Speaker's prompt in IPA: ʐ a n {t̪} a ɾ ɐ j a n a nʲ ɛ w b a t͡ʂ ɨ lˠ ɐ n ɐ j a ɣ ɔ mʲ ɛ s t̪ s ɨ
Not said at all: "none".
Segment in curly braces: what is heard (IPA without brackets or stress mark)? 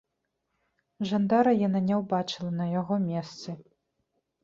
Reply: d̪